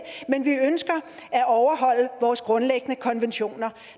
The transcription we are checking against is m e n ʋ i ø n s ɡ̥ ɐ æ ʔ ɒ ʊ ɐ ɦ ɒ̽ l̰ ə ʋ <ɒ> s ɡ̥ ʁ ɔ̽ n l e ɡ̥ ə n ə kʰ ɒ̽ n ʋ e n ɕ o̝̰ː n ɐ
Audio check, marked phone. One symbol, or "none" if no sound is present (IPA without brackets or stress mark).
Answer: ɒː